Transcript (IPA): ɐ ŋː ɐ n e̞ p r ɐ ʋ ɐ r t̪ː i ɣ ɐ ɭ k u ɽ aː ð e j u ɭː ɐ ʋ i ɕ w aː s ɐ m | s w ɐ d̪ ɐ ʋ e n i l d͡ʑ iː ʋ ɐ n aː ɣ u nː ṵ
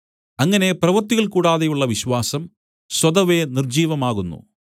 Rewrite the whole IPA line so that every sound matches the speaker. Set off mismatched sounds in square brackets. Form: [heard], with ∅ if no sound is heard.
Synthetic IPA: ɐ ŋː ɐ n e̞ p r ɐ ʋ ɐ r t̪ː i ɣ ɐ ɭ k [uː] ɽ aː ð e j u ɭː ɐ ʋ i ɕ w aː s ɐ m | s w ɐ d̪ ɐ ʋ e n i [r] d͡ʑ iː ʋ ɐ [m] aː ɣ u nː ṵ